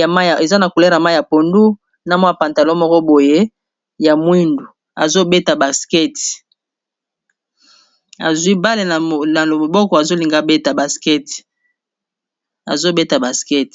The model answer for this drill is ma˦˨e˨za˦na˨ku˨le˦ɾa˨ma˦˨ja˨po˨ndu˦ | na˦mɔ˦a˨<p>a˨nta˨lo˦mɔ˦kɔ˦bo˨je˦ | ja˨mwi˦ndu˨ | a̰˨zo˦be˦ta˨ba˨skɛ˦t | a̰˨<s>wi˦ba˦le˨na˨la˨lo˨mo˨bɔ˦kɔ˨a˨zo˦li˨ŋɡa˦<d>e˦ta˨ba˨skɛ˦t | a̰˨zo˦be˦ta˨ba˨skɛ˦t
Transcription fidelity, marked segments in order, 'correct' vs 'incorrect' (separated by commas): correct, incorrect, incorrect